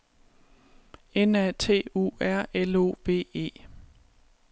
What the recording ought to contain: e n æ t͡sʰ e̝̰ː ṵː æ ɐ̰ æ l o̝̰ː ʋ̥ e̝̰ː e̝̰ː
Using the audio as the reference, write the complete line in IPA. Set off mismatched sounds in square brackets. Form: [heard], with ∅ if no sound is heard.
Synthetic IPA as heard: e n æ t͡sʰ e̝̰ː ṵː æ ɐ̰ [e] l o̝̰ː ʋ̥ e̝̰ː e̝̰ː